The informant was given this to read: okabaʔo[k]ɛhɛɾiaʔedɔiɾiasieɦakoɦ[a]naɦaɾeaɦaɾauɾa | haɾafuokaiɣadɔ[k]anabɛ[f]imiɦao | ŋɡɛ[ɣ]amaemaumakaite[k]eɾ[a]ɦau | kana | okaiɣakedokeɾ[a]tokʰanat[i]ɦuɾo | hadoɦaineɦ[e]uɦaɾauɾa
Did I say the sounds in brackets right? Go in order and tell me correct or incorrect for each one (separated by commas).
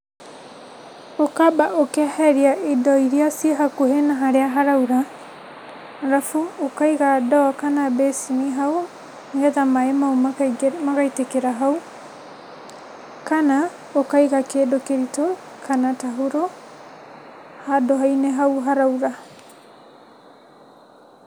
correct, incorrect, correct, incorrect, incorrect, correct, correct, incorrect, incorrect, incorrect